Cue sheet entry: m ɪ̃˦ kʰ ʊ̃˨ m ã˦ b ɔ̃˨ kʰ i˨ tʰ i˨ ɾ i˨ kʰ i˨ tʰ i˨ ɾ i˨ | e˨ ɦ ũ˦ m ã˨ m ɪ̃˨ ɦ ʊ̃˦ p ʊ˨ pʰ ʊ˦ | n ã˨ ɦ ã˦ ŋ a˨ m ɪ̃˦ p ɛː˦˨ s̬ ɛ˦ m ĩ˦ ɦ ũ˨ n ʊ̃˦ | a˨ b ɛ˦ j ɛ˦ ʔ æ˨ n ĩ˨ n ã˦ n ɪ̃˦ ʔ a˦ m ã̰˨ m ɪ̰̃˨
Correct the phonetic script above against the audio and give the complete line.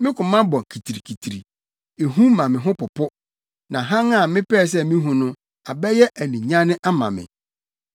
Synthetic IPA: m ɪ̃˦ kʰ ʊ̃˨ m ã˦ b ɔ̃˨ kʰ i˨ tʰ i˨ ɾ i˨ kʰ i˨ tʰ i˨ ɾ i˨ | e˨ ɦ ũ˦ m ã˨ m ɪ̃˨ ɦ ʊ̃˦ p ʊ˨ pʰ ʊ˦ | n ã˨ ɦ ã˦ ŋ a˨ m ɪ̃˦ p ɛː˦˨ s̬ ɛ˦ m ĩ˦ ɦ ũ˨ n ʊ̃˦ | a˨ b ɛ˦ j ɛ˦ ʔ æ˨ n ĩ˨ ɲ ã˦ n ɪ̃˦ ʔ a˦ m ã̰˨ m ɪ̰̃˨